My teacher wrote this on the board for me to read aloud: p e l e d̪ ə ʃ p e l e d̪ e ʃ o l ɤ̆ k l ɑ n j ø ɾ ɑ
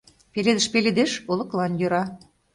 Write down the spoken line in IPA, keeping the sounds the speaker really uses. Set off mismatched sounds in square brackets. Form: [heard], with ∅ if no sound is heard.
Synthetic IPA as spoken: p e l e d̪ ə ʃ p e l e d̪ e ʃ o l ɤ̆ k l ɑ n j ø ɾ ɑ